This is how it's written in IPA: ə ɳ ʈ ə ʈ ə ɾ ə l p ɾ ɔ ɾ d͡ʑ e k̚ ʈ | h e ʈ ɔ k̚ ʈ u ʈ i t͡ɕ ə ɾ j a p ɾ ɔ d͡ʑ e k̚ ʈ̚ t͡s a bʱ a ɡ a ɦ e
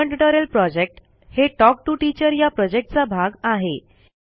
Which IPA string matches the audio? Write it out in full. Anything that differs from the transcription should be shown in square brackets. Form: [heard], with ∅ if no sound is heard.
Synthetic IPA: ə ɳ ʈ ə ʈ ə ɾ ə l p ɾ ɔ [∅] d͡ʑ e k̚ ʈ | h e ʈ ɔ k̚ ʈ u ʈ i t͡ɕ ə ɾ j a p ɾ ɔ d͡ʑ e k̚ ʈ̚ t͡s a bʱ a ɡ a ɦ e